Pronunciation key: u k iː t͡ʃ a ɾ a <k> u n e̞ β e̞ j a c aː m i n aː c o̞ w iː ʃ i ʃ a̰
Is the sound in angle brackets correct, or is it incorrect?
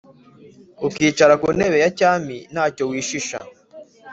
correct